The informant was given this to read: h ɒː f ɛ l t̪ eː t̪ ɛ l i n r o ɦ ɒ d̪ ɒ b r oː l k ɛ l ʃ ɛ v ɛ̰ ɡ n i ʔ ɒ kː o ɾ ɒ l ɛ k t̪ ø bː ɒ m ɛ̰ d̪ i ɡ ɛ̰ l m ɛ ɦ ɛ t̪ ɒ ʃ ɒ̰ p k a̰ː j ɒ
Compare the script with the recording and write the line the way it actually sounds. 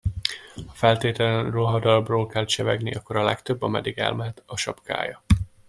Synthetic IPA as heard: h ɒ f ɛ l t̪ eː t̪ ɛ l ɛ n r o ɦ ɒ d̪ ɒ b r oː l k ɛ l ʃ ɛ v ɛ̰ ɡ n i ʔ ɒ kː o ɾ ɒ l ɛ k t̪ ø bː ɒ m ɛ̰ d̪ i ɡ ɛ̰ l m ɛ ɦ ɛ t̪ ɒ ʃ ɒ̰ p k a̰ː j ɒ